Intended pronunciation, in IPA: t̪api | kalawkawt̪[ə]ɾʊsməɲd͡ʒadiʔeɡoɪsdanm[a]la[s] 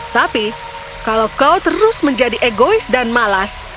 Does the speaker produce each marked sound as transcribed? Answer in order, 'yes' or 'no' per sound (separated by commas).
yes, yes, yes